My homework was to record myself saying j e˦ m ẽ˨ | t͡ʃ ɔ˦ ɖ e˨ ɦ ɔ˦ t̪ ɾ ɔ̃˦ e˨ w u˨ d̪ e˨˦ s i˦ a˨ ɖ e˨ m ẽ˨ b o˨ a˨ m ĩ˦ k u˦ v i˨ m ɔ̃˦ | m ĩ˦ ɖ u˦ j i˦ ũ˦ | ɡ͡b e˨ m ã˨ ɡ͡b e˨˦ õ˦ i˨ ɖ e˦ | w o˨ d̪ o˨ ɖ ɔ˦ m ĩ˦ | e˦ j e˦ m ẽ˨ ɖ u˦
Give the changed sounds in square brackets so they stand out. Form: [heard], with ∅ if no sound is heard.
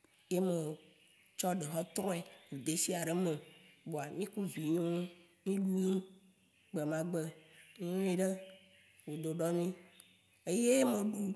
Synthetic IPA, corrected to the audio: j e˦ m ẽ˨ | t͡ʃ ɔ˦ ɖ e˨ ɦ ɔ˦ t̪ ɾ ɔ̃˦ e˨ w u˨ d̪ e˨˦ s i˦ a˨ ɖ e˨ m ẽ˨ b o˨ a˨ m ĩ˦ k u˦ v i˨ [ɲ] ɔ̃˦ | m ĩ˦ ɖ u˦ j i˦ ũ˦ | ɡ͡b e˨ m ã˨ ɡ͡b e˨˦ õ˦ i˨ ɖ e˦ | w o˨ d̪ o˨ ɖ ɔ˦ m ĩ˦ | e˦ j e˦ m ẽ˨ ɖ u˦